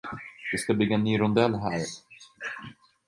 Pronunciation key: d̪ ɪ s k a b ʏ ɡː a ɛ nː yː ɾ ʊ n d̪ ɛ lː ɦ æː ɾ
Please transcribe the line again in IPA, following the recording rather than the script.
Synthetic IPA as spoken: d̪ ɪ s k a b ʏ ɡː a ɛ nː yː ɾ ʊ n d̪ ɛ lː ɦ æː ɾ